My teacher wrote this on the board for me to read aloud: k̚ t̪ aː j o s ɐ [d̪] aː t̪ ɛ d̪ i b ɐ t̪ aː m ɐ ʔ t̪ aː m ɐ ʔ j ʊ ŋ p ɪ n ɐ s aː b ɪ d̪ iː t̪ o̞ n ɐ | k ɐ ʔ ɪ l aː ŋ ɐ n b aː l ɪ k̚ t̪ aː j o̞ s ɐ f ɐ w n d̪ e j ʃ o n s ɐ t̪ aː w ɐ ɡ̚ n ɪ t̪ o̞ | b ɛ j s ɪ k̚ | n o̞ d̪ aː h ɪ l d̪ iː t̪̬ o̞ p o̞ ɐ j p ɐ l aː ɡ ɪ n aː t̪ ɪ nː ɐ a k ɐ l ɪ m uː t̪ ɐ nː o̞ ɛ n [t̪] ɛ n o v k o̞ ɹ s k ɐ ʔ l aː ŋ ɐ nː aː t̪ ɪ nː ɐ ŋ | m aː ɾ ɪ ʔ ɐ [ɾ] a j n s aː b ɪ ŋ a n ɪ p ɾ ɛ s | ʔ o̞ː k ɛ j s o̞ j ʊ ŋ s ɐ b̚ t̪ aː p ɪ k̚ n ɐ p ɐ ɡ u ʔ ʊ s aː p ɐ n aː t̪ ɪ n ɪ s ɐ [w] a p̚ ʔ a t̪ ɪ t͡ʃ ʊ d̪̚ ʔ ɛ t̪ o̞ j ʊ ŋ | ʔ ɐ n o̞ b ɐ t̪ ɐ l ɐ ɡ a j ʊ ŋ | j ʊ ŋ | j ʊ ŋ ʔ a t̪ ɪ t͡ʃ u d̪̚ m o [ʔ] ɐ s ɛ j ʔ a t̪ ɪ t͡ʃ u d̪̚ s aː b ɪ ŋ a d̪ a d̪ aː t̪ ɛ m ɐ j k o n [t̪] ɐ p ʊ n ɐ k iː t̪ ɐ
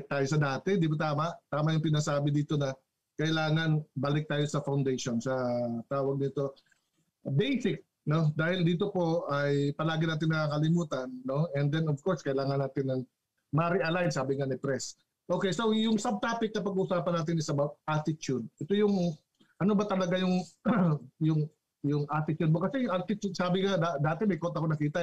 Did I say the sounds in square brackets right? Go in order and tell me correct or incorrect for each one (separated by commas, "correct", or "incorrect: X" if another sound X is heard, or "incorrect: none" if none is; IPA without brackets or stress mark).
correct, incorrect: d̪, incorrect: l, incorrect: b, incorrect: k, correct